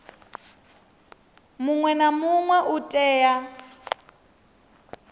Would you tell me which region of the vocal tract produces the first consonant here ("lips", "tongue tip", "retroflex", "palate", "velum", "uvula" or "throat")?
lips